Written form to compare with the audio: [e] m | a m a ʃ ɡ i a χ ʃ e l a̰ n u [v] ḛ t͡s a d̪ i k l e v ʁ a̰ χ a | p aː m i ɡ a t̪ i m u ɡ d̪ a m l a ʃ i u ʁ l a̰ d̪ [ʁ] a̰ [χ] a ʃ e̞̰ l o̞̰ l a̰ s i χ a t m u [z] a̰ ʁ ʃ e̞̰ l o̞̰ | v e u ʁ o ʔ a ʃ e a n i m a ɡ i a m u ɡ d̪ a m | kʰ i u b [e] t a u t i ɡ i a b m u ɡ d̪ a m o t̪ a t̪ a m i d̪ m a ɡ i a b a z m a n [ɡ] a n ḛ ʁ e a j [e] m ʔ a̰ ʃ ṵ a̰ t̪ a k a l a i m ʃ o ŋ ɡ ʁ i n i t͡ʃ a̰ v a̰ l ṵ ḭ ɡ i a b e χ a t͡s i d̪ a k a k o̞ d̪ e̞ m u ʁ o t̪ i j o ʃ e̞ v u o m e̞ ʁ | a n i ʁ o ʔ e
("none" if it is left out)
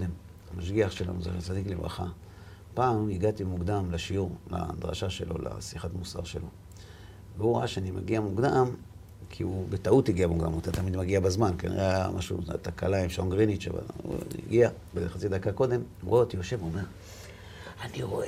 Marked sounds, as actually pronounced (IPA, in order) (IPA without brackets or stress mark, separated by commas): e, z, ʁ, ʃ, s, e, k, a